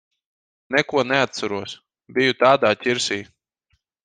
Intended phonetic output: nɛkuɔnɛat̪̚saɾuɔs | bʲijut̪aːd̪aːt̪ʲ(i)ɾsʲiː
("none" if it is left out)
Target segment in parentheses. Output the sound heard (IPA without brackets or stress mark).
i